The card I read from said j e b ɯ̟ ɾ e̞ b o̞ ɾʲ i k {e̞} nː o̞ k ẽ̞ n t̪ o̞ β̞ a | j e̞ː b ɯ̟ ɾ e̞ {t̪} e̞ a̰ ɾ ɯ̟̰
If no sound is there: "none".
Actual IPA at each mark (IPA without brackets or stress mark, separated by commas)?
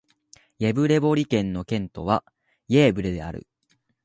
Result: ẽ̞, d̪